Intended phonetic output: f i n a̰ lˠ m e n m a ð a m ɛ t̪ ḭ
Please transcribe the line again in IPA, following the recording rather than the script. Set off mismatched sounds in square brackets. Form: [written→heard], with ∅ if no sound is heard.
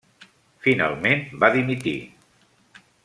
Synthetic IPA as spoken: f i n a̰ lˠ m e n [m→b] a ð [a→i] m [ɛ→i] t̪ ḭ